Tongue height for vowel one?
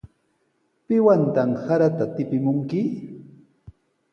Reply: high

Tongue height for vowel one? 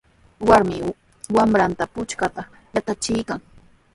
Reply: low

